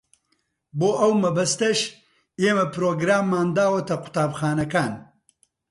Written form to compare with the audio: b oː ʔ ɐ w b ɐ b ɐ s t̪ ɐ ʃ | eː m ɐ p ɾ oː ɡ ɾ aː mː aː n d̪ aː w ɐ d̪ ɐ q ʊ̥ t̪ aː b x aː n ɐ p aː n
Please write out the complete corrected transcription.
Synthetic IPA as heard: b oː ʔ ɐ w m ɐ b ɐ s t̪ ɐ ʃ | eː m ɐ p ɾ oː ɡ ɾ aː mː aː n d̪ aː w ɐ t̪ ɐ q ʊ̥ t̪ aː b x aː n ɐ k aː n

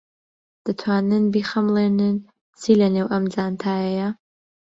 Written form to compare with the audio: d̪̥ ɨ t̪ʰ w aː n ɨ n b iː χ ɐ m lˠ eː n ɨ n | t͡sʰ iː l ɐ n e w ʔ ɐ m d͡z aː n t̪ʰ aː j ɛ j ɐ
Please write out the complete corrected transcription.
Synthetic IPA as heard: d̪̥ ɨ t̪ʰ w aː n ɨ n b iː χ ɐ m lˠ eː n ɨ n | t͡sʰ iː l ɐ n e w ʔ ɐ m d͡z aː n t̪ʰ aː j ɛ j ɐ

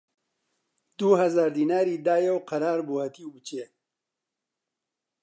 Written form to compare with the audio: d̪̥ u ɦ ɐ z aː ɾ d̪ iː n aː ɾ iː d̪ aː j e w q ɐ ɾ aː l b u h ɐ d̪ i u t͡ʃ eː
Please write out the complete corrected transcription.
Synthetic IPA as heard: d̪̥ u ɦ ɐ z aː ɾ d̪ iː n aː ɾ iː d̪ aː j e w q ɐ ɾ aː ɾ b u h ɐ t̪ i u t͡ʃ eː

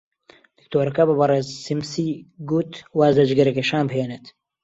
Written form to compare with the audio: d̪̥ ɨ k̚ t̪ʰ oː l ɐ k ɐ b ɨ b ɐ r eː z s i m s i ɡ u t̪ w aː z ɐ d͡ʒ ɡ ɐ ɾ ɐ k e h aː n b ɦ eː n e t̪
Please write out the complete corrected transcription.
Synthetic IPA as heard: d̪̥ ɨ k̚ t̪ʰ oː ɾ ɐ k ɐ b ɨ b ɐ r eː z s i m s i ɡ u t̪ w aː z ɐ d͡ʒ ɡ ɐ ɾ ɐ k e ʃ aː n b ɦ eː n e t̪

